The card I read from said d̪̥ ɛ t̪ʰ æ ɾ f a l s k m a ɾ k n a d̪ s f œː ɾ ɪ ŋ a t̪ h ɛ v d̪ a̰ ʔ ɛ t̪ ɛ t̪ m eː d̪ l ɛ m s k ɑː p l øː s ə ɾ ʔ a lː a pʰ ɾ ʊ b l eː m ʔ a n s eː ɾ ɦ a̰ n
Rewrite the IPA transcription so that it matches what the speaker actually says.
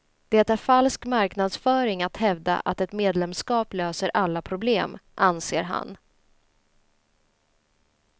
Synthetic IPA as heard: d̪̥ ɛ t̪ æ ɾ f a l s k m a ɾ k n a d̪ s f œː ɾ ɪ ŋ a t̪ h ɛ v d̪ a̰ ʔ a t̪ ɛ t̪ m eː d̪ l ɛ m s k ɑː p l øː s ə ɾ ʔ a lː a pʰ ɾ ʊ b l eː m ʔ a n s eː ɾ ɦ a̰ n